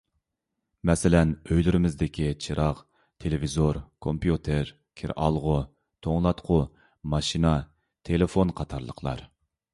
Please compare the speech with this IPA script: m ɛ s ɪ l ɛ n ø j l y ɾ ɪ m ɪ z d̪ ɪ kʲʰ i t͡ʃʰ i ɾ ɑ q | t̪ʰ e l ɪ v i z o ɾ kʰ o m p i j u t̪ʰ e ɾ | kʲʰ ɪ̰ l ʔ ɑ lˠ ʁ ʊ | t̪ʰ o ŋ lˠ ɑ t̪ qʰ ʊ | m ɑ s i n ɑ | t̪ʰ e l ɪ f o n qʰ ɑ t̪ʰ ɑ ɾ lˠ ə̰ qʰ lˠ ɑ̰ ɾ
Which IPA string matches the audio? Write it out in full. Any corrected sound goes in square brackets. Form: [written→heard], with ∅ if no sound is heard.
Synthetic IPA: m ɛ s ɪ l ɛ n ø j l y ɾ ɪ m ɪ z d̪ ɪ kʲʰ i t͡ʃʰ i ɾ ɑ q | t̪ʰ e l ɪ v i z o ɾ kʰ o m p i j u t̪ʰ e ɾ | kʲʰ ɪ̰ [l→ɾ] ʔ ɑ lˠ ʁ ʊ | t̪ʰ o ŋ lˠ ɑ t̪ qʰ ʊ | m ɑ [s→ʃ] i n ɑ | t̪ʰ e l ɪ f o n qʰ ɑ t̪ʰ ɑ ɾ lˠ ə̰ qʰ lˠ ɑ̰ ɾ

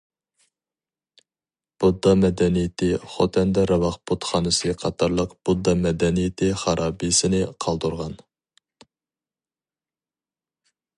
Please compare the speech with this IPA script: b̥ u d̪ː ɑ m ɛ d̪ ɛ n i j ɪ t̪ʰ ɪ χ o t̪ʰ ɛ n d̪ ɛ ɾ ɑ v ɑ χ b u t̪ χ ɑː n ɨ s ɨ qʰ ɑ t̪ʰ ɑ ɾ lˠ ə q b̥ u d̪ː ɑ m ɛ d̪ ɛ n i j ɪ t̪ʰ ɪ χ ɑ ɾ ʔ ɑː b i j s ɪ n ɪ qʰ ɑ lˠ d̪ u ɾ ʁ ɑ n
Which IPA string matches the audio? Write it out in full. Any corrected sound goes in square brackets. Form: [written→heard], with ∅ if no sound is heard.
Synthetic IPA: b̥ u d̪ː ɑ m ɛ d̪ ɛ n i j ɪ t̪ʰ ɪ χ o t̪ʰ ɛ n d̪ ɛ ɾ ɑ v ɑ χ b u t̪ χ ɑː n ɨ s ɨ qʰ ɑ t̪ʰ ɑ ɾ lˠ ə q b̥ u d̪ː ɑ m ɛ d̪ ɛ n i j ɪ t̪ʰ ɪ χ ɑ ɾ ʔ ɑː b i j s ɪ n ɪ qʰ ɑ lˠ d̪ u ɾ ʁ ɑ n

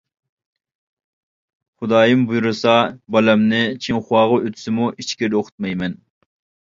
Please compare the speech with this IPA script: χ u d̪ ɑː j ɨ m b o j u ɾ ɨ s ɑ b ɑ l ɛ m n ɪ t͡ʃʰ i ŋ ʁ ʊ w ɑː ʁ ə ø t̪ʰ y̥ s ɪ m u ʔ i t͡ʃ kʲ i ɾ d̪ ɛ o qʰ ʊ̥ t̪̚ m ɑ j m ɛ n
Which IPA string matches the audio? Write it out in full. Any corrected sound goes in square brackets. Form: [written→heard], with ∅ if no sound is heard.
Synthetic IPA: χ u d̪ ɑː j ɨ m b [o→u] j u ɾ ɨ s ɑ b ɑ l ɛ m n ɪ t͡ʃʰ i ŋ [ʁ→χ] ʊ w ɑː ʁ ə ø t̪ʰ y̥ s ɪ m u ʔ i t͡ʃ kʲ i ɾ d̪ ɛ o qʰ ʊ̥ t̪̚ m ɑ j m ɛ n

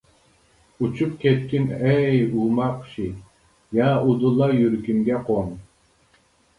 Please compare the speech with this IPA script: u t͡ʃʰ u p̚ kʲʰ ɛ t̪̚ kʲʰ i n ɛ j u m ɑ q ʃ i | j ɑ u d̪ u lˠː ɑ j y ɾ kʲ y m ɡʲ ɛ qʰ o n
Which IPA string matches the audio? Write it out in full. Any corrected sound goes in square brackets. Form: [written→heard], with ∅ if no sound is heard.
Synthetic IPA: u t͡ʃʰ u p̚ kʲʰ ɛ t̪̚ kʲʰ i n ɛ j u m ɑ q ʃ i | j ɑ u d̪ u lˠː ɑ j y ɾ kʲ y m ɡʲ ɛ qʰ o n

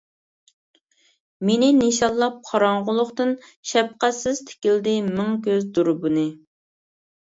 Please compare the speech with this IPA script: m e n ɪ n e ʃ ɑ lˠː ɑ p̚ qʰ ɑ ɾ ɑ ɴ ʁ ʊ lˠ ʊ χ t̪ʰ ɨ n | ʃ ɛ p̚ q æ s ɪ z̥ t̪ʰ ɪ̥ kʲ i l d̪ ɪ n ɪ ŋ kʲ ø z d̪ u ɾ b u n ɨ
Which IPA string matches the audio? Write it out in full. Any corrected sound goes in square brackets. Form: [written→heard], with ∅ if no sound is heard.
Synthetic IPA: m e n ɪ n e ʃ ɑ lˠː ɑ p̚ qʰ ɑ ɾ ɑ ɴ ʁ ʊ lˠ ʊ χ [t̪ʰ→t̪] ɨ n | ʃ ɛ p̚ q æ s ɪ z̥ t̪ʰ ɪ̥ kʲ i l d̪ ɪ [n→m] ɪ ŋ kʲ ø z d̪ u ɾ b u n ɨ

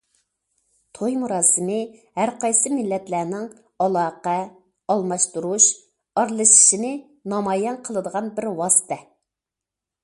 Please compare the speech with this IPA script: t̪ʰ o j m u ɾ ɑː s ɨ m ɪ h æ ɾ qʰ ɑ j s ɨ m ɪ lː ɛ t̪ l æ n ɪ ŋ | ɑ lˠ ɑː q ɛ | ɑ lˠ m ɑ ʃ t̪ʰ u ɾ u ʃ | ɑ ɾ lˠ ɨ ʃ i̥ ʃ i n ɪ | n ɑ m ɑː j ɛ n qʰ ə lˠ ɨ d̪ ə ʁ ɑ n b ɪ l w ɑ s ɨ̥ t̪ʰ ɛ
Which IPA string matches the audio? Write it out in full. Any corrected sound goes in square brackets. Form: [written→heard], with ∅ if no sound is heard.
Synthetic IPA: t̪ʰ o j m u ɾ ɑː s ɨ m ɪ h æ ɾ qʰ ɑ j s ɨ m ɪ lː ɛ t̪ l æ n ɪ ŋ | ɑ lˠ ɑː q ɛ | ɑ lˠ m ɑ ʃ [t̪ʰ→t̪] u ɾ u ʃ | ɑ ɾ lˠ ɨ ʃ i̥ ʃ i n ɪ | n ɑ m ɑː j ɛ n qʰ ə lˠ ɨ d̪ ə ʁ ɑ n b ɪ [l→ɾ] w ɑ s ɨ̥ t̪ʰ ɛ

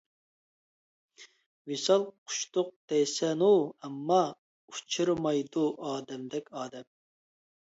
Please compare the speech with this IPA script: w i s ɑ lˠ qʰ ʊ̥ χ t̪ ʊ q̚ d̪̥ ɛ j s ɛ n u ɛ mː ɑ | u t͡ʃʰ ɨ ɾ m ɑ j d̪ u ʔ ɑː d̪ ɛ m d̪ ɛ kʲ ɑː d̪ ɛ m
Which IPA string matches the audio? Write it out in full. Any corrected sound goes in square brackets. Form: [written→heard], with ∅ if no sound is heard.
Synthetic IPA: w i s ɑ lˠ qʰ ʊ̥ [χ→ʃ] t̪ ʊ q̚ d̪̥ ɛ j s ɛ n u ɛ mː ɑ | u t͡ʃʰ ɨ ɾ m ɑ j d̪ u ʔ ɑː d̪ ɛ m d̪ ɛ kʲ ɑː d̪ ɛ m

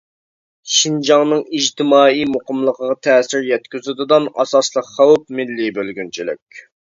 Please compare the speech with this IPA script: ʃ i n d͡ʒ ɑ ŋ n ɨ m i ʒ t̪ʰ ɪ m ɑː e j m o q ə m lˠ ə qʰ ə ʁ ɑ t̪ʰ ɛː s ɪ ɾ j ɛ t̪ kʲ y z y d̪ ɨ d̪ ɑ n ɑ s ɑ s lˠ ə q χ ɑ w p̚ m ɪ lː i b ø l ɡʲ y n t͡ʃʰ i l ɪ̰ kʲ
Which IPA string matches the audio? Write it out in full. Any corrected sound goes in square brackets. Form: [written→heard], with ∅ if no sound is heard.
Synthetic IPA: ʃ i n d͡ʒ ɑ ŋ n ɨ [m→ŋ] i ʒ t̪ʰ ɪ m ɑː [e→i] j m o q ə m lˠ ə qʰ ə ʁ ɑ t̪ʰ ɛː s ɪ ɾ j ɛ t̪ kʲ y z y d̪ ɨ d̪ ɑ n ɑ s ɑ s lˠ ə q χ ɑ w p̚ m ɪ lː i b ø l ɡʲ y n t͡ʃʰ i l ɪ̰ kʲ

